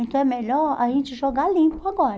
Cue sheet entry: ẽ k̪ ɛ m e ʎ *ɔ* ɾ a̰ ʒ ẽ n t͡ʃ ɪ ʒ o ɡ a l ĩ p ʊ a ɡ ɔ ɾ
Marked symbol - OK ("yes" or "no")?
yes